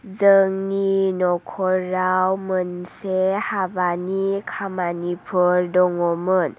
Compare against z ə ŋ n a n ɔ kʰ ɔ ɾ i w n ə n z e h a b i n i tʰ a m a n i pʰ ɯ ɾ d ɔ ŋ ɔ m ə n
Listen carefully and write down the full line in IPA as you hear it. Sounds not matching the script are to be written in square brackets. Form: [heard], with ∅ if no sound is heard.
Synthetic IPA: z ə ŋ n [i] n ɔ kʰ ɔ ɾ [a] w [m] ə n [s] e h a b [a] n i [kʰ] a m a n i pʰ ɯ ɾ d ɔ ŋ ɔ m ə n